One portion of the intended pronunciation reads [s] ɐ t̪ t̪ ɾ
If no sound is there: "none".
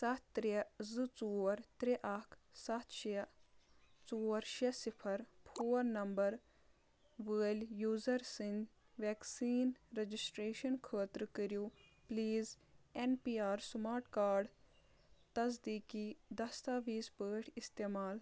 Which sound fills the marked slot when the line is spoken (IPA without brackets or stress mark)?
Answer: s